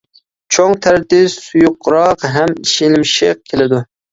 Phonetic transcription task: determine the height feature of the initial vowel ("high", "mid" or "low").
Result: mid